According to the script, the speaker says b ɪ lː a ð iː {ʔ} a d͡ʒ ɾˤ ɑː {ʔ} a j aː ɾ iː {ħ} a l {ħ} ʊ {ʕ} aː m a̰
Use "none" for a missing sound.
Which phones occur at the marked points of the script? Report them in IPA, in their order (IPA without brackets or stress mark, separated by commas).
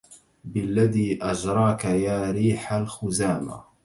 ʔ, k, ħ, x, z